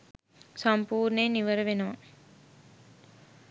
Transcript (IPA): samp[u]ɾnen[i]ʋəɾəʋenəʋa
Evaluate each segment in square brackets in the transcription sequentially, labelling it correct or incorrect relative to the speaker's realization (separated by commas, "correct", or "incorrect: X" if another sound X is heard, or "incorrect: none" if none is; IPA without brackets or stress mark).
incorrect: uː, correct